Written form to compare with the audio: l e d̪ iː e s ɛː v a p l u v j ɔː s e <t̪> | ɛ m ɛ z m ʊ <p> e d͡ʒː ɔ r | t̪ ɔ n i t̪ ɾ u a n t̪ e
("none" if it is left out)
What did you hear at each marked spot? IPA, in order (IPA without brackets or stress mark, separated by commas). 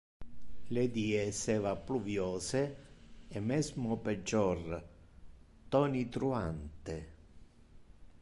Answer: none, p